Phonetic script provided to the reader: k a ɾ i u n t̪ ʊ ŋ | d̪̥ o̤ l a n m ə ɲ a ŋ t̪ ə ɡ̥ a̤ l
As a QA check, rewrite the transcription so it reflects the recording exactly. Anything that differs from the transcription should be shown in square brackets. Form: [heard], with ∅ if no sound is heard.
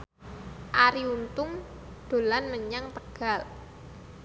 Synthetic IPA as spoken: [ʔ] a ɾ i u n t̪ ʊ ŋ | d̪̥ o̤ l a n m ə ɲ a ŋ t̪ ə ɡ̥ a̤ l